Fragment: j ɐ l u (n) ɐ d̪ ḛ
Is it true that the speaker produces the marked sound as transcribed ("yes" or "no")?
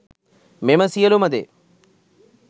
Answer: no